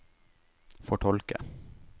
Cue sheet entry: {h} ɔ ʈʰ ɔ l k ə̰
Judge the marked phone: incorrect: f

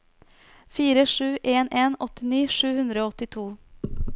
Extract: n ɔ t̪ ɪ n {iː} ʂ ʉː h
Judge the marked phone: correct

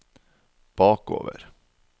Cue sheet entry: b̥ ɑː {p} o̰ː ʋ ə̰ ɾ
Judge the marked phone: incorrect: k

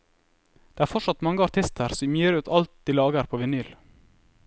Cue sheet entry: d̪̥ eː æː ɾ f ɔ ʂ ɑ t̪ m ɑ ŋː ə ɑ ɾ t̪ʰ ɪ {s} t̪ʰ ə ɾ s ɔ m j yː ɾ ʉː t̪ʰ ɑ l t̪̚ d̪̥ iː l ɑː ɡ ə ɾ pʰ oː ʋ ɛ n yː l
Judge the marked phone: correct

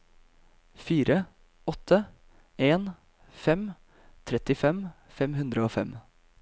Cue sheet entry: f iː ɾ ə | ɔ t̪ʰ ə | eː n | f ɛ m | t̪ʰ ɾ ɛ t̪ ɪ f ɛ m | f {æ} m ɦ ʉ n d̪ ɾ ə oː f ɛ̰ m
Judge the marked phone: incorrect: ɛ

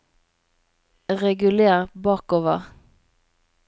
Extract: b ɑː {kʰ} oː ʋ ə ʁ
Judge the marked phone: incorrect: k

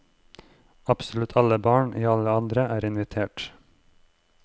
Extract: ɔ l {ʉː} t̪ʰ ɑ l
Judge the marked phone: incorrect: ʉ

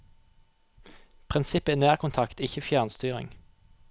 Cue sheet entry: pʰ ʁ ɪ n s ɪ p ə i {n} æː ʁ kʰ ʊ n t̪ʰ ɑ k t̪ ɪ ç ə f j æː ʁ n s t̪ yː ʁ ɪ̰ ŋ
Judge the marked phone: correct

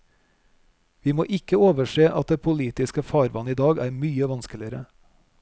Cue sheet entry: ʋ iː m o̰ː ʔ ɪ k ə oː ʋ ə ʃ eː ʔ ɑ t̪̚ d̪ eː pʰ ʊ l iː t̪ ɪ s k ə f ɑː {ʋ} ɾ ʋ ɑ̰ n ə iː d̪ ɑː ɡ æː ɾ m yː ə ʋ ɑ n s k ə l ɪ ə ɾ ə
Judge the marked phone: incorrect: none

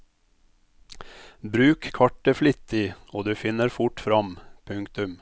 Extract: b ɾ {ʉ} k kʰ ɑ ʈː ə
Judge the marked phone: incorrect: ʉː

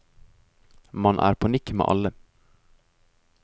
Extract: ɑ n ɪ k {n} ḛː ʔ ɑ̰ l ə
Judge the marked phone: incorrect: m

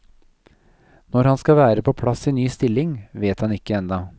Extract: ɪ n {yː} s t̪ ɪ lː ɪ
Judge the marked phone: correct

